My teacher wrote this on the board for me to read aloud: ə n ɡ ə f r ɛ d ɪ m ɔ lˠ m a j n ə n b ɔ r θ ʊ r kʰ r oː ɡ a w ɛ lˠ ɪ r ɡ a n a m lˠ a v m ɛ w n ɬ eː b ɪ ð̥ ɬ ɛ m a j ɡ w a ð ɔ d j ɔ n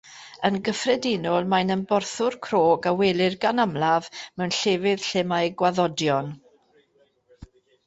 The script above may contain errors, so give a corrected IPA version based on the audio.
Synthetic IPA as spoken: ə n ɡ ə f r ɛ d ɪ n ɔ lˠ m a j n ə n b ɔ r θ ʊ r kʰ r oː ɡ a w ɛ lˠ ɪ r ɡ a n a m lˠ a v m ɛ w n ɬ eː v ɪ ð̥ ɬ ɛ m a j ɡ w a ð ɔ d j ɔ n